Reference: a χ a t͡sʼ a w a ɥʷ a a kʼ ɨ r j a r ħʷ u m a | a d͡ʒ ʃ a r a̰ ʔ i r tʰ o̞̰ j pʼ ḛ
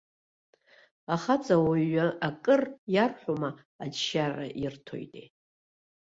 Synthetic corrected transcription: a χ a t͡sʼ a w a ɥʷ a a kʼ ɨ r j a r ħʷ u m a | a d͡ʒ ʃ a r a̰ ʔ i r tʰ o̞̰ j tʼ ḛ

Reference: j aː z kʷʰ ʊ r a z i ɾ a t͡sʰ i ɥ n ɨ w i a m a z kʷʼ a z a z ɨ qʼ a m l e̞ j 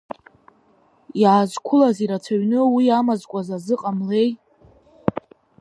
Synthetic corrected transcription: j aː z kʷʰ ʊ l a z i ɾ a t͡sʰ a ɥ n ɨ w i a m a z kʷʼ a z a z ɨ qʼ a m l e̞ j

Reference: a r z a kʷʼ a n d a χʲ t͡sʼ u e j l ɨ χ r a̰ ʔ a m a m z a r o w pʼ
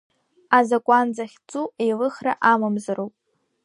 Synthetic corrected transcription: a z a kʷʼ a n d͡z a χʲ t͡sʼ u e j l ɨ χ r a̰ ʔ a m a m z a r o w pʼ

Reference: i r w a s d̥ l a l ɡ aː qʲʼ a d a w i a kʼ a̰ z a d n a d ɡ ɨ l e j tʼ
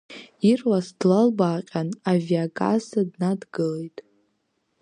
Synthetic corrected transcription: i r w a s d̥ l a l b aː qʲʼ a n a v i a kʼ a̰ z a d n a d ɡ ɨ l e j tʼ

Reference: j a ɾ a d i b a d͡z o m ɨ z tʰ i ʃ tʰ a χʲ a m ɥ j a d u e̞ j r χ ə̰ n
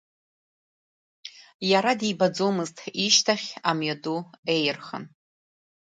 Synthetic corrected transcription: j a ɾ a d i b a d͡z o m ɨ z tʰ i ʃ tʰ a χʲ a m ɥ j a d u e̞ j r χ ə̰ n

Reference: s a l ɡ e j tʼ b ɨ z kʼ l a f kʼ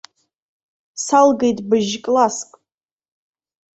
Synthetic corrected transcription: s a l ɡ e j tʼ b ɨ ʒ kʼ l a s kʼ

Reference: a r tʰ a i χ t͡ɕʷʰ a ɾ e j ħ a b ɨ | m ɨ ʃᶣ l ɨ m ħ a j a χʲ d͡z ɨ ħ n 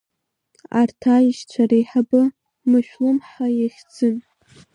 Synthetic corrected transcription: a r tʰ a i ʃ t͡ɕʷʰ a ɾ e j ħ a b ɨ | m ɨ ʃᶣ l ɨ m ħ a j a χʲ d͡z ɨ n

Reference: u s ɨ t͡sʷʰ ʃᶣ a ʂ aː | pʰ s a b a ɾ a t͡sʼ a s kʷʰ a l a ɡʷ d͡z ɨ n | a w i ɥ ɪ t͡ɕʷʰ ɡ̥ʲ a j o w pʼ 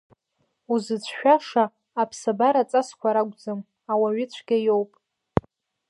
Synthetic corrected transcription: u z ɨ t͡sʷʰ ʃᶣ a ʂ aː | pʰ s a b a ɾ a t͡sʼ a s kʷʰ a ɾ a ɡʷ d͡z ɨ m | a w a ɥ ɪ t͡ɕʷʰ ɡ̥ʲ a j o w pʼ

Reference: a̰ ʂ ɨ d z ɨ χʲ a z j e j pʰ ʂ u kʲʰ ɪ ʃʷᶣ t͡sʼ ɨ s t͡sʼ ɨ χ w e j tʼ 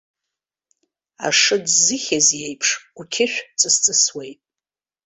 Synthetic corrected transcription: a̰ ʂ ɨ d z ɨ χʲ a z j e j pʰ ʂ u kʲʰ ɪ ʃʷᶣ t͡sʼ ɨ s t͡sʼ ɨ s w e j tʼ

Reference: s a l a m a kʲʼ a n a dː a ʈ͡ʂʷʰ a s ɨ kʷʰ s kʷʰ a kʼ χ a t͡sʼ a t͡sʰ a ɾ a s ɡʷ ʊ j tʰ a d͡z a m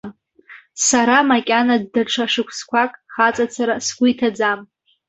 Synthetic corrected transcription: s a ɾ a m a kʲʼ a n a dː a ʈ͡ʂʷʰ a ʂ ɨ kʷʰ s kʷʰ a kʼ χ a t͡sʼ a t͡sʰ a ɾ a s ɡʷ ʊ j tʰ a d͡z a m

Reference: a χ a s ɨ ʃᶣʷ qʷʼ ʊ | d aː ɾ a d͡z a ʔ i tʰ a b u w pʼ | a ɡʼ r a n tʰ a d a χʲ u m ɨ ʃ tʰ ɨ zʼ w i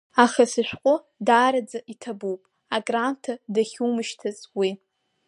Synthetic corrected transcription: a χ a s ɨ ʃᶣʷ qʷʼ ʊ | d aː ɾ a d͡z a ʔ i tʰ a b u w pʼ | a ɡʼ r a n tʰ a d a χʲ u m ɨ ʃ tʰ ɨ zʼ w i

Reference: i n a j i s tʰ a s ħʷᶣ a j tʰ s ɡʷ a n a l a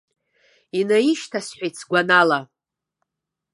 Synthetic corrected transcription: i n a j i ʃ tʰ a s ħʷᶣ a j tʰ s ɡʷ a n a l a

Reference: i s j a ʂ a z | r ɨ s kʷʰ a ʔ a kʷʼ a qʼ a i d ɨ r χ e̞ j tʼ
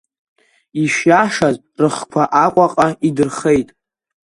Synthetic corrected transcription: i ʃ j a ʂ a z | r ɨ χ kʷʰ a ʔ a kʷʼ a qʼ a i d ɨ r χ e̞ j tʼ

